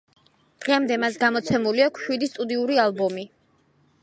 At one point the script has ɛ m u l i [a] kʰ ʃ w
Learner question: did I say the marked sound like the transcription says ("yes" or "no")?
yes